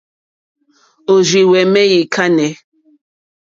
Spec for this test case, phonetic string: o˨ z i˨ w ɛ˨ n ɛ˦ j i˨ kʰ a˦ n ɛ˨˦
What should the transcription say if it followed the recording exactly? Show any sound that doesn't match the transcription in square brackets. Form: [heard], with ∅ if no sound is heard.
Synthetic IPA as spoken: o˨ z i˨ w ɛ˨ [m] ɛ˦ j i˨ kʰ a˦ n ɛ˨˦